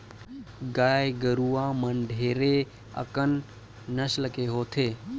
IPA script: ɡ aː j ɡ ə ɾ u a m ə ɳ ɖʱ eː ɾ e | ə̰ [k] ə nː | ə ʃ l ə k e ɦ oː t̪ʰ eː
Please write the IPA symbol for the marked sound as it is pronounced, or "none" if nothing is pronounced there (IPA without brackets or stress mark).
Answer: k